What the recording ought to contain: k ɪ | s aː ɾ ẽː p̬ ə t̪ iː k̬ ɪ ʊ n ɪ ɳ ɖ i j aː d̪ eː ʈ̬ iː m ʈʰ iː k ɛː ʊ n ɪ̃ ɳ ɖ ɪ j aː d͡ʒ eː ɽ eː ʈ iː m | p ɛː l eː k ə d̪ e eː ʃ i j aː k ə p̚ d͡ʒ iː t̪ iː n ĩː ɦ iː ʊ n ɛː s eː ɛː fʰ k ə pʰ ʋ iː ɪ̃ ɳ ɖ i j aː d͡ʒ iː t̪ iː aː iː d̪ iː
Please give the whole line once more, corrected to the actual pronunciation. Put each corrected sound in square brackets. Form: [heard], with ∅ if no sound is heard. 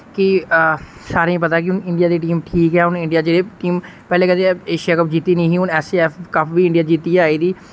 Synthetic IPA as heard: k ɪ | s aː ɾ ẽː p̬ ə t̪ [aː] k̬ ɪ ʊ n ɪ ɳ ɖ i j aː d̪ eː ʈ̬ iː m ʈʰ iː k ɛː ʊ n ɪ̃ ɳ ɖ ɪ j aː d͡ʒ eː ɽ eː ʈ iː m | p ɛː l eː k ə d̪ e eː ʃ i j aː k ə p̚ d͡ʒ iː t̪ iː n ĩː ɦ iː ʊ n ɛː s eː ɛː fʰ k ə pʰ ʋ iː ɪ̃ ɳ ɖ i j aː d͡ʒ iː t̪ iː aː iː d̪ iː